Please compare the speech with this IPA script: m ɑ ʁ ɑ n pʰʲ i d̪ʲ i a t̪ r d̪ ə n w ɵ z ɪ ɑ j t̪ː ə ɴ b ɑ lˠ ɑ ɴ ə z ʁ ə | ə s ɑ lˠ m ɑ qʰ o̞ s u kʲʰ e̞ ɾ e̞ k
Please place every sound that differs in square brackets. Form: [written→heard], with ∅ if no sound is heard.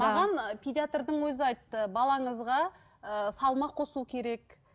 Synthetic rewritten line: m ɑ ʁ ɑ n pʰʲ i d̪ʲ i a t̪ r d̪ ə [n→ɴ] w ɵ z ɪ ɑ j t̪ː ə [ɴ→∅] b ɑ lˠ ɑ ɴ ə z ʁ [ə→ɑ] | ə s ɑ lˠ m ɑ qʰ o̞ s u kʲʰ e̞ ɾ e̞ k